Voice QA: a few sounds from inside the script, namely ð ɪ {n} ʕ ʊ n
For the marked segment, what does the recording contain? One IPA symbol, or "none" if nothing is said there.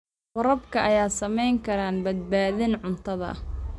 n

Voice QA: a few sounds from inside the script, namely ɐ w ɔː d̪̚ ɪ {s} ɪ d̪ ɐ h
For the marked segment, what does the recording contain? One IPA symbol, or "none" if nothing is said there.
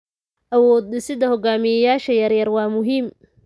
s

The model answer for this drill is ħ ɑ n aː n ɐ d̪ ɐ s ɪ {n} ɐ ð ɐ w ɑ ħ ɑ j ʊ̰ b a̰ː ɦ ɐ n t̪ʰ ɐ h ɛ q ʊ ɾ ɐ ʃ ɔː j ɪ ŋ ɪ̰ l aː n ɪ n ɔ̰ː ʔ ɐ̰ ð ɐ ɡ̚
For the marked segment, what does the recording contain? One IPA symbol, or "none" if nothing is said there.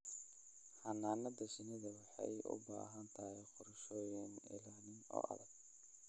n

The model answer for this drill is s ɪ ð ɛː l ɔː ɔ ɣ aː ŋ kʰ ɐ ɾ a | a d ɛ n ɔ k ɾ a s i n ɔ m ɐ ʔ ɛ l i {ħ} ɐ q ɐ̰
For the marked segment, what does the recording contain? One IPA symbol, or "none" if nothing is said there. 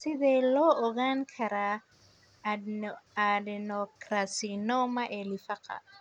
f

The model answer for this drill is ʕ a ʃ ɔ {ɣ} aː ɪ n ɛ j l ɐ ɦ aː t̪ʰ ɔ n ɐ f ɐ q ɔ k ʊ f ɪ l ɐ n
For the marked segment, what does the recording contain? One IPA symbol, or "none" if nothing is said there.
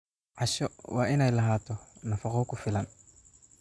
w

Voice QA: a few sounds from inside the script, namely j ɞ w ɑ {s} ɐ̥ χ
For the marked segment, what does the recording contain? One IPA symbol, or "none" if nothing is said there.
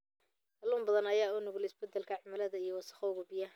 s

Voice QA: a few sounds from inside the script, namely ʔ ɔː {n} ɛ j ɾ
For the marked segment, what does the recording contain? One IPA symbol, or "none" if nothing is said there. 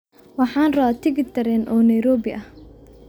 n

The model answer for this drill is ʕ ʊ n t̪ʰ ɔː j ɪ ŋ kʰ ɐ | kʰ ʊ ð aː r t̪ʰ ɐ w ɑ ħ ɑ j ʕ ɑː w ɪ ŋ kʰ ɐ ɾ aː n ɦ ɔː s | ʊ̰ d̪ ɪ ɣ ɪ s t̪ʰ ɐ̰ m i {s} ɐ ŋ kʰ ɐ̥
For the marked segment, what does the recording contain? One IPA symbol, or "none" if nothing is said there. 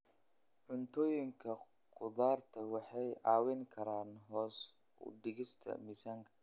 s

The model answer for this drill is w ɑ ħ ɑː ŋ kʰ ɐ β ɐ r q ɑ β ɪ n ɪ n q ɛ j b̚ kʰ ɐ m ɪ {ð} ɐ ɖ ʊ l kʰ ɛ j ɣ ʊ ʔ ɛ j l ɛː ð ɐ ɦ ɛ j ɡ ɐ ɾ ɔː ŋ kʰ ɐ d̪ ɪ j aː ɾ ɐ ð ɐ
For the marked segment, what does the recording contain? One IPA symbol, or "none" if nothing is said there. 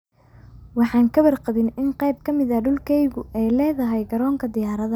ð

